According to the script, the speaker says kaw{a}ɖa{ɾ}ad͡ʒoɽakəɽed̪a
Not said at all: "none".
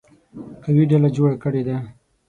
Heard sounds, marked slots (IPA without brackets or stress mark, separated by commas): i, l